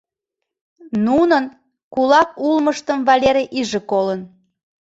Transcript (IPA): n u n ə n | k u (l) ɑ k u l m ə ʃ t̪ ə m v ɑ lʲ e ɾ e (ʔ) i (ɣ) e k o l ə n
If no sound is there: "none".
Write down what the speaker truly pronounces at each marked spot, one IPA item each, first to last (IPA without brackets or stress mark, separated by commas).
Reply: l, ʔ, ʒ